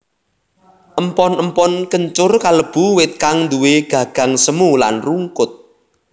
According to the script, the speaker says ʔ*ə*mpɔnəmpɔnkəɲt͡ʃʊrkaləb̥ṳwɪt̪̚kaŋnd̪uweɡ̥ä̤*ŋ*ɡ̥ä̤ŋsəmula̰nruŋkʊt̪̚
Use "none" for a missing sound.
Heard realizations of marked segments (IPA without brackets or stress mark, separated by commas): ə, none